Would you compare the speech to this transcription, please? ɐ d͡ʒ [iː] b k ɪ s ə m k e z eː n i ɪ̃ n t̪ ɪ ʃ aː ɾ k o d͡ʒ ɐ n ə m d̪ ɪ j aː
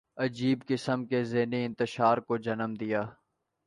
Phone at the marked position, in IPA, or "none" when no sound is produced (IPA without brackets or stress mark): iː